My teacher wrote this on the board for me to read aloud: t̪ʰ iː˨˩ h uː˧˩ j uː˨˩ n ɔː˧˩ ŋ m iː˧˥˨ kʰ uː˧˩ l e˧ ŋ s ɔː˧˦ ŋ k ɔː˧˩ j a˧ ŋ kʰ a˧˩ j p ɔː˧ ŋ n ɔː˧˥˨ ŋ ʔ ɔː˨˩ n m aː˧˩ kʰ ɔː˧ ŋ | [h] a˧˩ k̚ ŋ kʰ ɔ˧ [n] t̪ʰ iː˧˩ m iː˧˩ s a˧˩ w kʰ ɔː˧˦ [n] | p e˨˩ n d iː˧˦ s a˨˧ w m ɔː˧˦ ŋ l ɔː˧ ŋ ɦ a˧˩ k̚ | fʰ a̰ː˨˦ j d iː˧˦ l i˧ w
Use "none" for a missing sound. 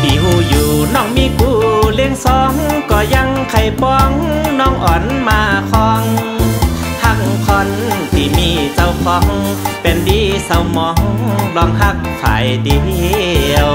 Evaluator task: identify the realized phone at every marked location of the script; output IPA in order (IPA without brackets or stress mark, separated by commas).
h, n, ŋ